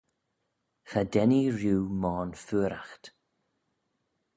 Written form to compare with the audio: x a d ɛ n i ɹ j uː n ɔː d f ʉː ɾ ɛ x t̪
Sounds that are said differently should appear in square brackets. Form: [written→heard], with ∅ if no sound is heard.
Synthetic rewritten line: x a d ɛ n i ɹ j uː [n→m] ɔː [d→n] f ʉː ɾ [ɛ→a] x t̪